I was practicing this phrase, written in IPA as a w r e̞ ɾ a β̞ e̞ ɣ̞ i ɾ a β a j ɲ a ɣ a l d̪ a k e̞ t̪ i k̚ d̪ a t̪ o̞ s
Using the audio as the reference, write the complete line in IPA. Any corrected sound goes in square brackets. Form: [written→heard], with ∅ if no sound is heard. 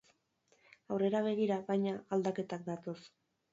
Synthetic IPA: a w r e̞ ɾ a β̞ e̞ ɣ̞ i ɾ a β a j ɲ a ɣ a l d̪ a k e̞ t̪ [i→a] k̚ d̪ a t̪ o̞ s